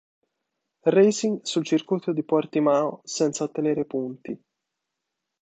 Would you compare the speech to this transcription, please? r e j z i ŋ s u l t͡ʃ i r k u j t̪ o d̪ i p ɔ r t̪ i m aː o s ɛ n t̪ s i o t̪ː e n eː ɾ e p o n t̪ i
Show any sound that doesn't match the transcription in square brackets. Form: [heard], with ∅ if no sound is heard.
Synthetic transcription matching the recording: r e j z i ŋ s u l t͡ʃ i r k u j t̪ o d̪ i p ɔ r t̪ i m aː o s ɛ n t̪ s [a] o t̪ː e n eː ɾ e p [u] n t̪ i